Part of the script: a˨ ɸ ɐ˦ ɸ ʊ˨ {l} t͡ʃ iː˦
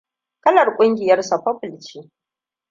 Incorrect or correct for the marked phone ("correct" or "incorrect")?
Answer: correct